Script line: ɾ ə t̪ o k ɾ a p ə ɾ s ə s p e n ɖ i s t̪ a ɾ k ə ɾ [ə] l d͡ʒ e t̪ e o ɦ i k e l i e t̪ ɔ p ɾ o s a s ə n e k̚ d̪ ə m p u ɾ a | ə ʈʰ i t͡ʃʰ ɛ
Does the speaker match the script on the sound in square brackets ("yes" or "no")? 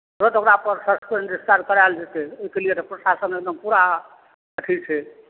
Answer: no